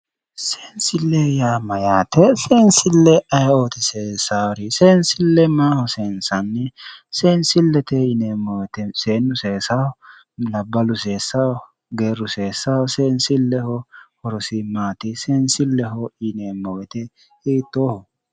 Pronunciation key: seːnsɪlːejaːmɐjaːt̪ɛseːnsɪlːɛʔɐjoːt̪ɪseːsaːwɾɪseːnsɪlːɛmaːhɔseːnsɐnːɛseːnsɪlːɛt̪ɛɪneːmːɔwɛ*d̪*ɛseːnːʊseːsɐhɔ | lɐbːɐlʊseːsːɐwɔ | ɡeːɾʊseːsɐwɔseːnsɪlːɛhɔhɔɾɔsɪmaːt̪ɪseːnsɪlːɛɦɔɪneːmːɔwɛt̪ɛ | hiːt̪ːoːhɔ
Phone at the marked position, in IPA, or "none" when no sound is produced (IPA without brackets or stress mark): t̪